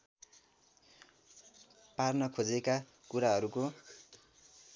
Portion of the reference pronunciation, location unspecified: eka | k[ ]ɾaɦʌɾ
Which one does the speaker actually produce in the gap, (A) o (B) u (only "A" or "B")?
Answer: B